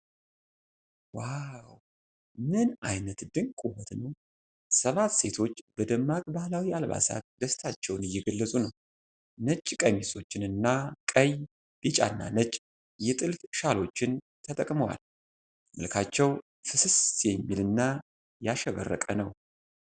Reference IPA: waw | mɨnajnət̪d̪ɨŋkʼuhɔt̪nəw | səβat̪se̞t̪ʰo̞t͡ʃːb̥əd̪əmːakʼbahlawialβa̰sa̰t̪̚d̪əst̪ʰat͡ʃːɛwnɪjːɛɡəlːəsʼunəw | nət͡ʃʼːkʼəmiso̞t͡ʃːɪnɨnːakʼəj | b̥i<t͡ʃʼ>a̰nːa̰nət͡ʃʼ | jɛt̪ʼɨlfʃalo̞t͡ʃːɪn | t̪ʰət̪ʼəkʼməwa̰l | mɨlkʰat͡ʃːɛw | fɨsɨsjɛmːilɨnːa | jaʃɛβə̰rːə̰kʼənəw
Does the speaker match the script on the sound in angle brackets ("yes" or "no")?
yes